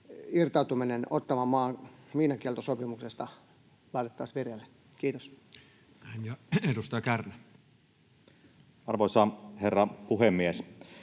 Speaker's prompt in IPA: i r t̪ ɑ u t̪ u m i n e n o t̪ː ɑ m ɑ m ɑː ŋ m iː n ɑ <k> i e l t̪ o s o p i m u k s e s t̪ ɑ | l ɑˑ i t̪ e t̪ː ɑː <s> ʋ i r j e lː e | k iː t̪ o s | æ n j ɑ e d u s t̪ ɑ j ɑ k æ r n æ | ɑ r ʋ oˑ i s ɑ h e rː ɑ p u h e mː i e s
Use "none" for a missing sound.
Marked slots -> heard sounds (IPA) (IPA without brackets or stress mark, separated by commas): k, s